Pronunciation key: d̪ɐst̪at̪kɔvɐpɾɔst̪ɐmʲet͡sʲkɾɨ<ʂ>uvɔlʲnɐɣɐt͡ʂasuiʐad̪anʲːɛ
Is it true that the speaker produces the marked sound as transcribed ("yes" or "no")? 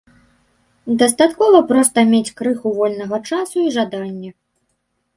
no